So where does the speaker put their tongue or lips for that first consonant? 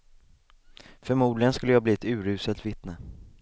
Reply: lips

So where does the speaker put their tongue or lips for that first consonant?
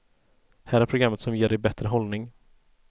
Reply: throat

